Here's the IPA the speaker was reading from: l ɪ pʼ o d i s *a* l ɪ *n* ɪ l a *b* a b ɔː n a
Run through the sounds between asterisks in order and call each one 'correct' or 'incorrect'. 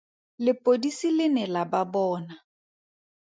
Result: incorrect: i, correct, correct

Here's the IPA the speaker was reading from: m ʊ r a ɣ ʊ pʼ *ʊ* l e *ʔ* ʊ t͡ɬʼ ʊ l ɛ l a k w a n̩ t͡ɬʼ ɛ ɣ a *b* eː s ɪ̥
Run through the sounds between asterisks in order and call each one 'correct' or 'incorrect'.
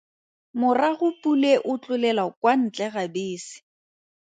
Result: incorrect: u, correct, correct

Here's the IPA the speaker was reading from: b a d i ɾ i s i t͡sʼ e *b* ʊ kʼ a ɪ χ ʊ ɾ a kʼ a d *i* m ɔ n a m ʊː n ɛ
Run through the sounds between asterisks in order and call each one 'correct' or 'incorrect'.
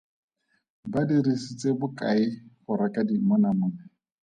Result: correct, correct

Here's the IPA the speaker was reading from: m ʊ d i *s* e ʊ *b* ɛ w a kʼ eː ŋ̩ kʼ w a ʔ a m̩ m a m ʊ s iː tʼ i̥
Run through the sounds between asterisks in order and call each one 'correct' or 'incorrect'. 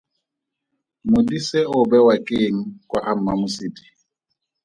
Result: correct, correct

